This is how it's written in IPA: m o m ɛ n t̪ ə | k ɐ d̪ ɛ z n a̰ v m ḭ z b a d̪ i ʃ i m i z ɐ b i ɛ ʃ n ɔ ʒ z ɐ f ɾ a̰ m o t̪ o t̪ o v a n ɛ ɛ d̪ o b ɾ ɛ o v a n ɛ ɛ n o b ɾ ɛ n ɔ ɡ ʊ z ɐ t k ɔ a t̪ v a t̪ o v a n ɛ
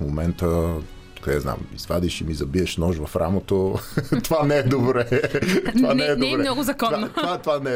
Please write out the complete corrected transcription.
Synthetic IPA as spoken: m o m ɛ n t̪ ə | k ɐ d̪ ɛ z n a̰ m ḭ z v a d̪ i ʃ i m i z ɐ b i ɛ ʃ n ɔ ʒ v ɐ f ɾ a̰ m o t̪ o t̪ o v a n ɛ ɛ d̪ o b ɾ ɛ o v a n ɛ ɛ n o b ɾ ɛ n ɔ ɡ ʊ z ɐ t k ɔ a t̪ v a t̪ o v a n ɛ